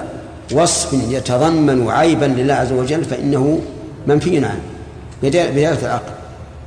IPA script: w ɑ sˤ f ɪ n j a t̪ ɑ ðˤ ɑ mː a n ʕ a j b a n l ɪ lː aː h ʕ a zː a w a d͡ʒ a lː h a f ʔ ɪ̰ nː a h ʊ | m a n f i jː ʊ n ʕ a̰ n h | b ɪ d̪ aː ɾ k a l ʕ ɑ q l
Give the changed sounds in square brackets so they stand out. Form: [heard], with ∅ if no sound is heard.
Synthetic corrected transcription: w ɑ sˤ f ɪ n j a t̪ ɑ ðˤ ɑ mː a n ʕ a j b a n l ɪ lː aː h ʕ a zː a w a d͡ʒ a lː [f] a [∅] ʔ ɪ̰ nː a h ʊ | m a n f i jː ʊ n ʕ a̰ n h | b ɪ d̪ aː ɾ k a l ʕ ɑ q l